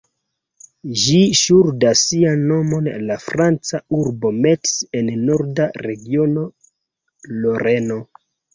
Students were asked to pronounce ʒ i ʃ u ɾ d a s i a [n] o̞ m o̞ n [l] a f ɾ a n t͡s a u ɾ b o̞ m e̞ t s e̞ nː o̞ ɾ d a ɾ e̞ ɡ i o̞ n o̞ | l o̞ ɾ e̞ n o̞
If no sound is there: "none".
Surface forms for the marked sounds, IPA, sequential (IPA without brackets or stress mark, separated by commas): nː, l